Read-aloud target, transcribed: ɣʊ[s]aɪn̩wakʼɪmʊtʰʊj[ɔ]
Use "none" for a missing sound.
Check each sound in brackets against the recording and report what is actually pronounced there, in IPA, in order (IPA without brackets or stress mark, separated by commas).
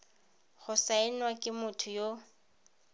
s, o